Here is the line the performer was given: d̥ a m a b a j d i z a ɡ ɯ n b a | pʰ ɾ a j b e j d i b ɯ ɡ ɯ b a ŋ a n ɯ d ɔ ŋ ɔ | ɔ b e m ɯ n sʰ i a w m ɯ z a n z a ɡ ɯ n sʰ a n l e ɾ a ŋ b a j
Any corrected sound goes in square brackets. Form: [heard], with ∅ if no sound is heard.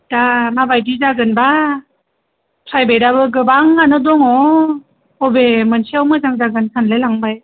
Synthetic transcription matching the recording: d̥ a m a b a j d i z a ɡ ɯ n b a | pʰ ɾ a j b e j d [a] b ɯ ɡ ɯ b a ŋ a n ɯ d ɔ ŋ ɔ | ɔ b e m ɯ n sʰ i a w m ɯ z a [ŋ] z a ɡ ɯ n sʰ a n l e [l] a ŋ b a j

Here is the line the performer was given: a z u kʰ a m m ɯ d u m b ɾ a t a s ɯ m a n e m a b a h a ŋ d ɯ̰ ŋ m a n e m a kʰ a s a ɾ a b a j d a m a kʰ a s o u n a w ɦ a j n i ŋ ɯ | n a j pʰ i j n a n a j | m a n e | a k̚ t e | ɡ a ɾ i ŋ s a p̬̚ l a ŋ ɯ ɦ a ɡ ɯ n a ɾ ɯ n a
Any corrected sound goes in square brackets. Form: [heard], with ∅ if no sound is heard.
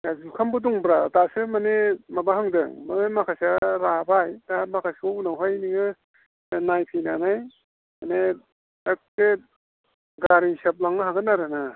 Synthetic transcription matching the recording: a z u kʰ a m [b] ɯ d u [ŋ] b ɾ a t a s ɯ m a n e m a b a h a ŋ d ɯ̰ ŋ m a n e m a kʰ a s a ɾ a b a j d a m a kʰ a s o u n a w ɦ a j n i ŋ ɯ | n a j pʰ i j n a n a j | m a n e | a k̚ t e | ɡ a ɾ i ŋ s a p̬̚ l a ŋ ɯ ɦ a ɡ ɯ n a ɾ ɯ n a

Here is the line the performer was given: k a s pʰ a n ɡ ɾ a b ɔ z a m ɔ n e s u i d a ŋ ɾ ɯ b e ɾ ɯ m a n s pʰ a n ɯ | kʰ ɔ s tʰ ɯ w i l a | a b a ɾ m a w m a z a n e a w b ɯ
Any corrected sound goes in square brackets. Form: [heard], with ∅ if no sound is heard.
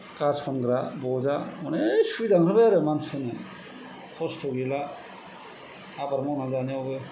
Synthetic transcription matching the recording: k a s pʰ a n ɡ ɾ a b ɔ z a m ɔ n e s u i d a ŋ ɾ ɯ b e ɾ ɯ m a n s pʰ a n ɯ | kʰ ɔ s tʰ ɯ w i l a | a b a ɾ m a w [n] a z a n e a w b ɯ

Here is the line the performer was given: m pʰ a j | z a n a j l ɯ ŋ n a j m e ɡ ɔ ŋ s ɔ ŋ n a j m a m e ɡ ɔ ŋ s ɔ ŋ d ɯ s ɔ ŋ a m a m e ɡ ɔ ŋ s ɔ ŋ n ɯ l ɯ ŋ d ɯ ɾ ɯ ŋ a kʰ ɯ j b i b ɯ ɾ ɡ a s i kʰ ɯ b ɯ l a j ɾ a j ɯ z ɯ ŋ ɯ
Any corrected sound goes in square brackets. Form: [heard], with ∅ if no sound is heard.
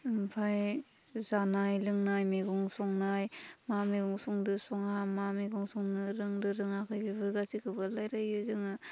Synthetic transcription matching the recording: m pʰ a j | z a n a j l ɯ ŋ n a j m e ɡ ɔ ŋ s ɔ ŋ n a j m a m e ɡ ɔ ŋ s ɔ ŋ d ɯ s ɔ ŋ a m a m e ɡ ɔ ŋ s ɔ ŋ n ɯ [ɾ] ɯ ŋ d ɯ ɾ ɯ ŋ a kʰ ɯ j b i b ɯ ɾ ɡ a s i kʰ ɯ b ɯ l a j ɾ a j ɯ z ɯ ŋ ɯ

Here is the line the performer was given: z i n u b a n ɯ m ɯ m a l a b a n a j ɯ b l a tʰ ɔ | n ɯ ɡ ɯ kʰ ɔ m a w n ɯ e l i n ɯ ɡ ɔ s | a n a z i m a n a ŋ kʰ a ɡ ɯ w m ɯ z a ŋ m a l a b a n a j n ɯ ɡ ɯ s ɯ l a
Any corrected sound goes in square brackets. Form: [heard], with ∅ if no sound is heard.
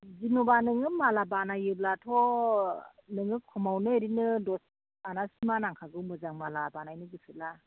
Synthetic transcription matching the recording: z i n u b a n ɯ [ŋ] ɯ m a l a b a n a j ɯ b l a tʰ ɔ | n ɯ [ŋ] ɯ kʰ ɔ m a w n ɯ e [ɾ] i n ɯ [d] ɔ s | a n a [s] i m a n a ŋ kʰ a ɡ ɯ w m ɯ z a ŋ m a l a b a n a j n ɯ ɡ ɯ s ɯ l a

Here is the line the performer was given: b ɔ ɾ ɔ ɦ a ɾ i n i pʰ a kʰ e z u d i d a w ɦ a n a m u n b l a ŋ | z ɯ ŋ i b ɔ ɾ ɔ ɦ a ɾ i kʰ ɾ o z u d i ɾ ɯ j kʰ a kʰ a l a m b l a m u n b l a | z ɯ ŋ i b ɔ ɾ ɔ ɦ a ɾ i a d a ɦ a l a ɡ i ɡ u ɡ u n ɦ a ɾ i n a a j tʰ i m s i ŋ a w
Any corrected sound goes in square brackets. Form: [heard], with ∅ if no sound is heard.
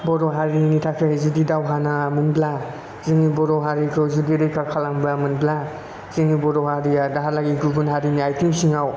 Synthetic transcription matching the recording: b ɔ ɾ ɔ ɦ a ɾ i n i [tʰ] a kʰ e z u d i d a w ɦ a n a m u n b l a [∅] | z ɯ ŋ i b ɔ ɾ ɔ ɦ a ɾ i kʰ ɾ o z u d i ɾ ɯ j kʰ a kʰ a l a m b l a m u n b l a | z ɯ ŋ i b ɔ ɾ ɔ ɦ a ɾ i a d a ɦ a l a ɡ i ɡ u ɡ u n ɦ a ɾ i n [i] a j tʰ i m s i ŋ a w

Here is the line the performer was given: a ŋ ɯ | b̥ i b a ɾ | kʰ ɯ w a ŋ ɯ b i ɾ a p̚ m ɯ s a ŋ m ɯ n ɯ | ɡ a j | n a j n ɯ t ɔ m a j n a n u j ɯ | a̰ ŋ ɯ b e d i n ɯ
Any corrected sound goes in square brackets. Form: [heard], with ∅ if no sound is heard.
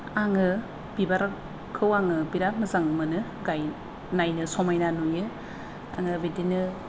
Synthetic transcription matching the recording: a ŋ ɯ | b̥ i b a ɾ | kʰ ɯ w a ŋ ɯ b i ɾ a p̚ m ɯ [z] a ŋ m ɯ n ɯ | ɡ a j | n a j n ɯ [s] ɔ m a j n a n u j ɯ | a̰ ŋ ɯ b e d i n ɯ

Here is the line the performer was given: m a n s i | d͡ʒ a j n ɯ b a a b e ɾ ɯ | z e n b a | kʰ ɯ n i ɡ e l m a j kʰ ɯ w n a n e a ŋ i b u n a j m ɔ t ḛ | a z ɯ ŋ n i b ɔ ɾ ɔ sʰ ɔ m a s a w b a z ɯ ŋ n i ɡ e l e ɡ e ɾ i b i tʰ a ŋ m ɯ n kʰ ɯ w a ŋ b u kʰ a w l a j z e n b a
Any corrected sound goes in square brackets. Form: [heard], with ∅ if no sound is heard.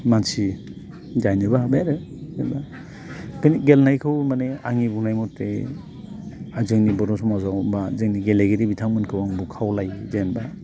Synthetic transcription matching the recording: m a n s i | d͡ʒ a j n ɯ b a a b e ɾ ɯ | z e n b a | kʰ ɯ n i ɡ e l [n] a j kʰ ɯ w [m] a n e a ŋ i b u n a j m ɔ t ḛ | a z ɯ ŋ n i b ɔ ɾ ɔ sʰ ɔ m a [z] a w b a z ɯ ŋ n i ɡ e l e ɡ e ɾ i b i tʰ a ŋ m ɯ n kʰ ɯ w a ŋ b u kʰ a w l a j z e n b a

